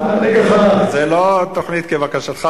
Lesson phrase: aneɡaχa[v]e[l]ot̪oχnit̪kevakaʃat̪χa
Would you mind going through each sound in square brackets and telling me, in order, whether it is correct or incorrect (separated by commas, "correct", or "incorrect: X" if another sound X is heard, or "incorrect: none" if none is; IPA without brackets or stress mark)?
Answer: incorrect: z, correct